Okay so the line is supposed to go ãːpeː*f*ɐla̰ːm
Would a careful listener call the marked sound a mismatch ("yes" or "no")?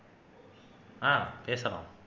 yes